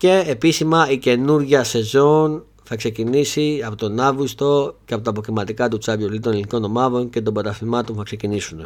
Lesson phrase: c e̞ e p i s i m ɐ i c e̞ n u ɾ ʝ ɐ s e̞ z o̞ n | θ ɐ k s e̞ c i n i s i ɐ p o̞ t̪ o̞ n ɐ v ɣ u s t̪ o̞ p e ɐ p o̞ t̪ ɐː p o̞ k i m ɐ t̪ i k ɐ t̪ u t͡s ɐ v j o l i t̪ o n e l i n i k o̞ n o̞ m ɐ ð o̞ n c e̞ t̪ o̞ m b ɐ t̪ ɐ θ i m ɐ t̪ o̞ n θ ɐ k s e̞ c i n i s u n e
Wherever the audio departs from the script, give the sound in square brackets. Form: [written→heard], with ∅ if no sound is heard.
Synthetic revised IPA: c e̞ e p i s i m ɐ i c e̞ n u ɾ ʝ ɐ s e̞ z o̞ n | θ ɐ k s e̞ c i n i s i ɐ p o̞ t̪ o̞ n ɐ v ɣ u s t̪ o̞ [p→c] e ɐ p o̞ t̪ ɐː p o̞ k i m ɐ t̪ i k ɐ t̪ u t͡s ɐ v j o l i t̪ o n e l i n i k o̞ n o̞ m ɐ ð o̞ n c e̞ t̪ o̞ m b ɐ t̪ ɐ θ i m ɐ t̪ o̞ n θ ɐ k s e̞ c i n i s u n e